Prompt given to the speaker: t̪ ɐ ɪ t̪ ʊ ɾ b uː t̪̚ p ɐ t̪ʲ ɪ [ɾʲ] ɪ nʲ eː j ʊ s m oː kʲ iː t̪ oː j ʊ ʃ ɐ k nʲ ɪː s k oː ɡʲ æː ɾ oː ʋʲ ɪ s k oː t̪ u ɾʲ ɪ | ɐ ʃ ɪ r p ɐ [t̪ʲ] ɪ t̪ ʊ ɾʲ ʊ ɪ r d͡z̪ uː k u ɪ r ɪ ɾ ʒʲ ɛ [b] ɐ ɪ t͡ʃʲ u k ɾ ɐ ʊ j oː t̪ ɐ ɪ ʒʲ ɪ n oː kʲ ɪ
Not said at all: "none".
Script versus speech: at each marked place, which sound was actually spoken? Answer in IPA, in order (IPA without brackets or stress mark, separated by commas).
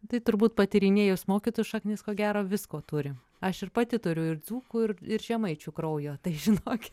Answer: ɾʲ, t̪ʲ, m